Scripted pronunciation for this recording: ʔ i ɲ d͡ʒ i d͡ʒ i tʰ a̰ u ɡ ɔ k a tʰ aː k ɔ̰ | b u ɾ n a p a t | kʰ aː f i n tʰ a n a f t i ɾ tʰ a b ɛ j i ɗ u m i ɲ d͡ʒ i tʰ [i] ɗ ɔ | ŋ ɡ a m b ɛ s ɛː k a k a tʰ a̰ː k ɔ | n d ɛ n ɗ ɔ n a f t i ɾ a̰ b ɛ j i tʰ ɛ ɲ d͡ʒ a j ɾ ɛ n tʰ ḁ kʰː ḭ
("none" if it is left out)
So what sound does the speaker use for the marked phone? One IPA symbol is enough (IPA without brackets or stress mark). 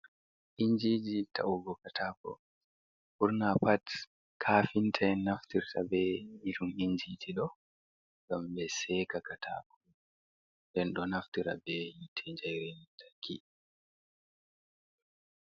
i